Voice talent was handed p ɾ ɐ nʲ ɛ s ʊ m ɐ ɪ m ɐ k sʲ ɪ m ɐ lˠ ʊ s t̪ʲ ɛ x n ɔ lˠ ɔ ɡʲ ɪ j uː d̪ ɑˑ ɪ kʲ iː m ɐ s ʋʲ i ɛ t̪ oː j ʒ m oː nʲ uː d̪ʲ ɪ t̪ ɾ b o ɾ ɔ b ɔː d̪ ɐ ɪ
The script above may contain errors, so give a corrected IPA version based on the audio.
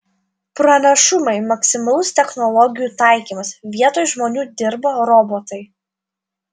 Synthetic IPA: p ɾ ɐ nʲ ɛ ʃ ʊ m ɐ ɪ m ɐ k sʲ ɪ m ɐ lˠ ʊ s t̪ʲ ɛ x n ɔ lˠ ɔ ɡʲ ɪ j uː t̪ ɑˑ ɪ kʲ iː m ɐ s ʋʲ i ɛ t̪ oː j ʒ m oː nʲ uː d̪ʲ ɪ ɾ b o ɾ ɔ b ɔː t̪ ɐ ɪ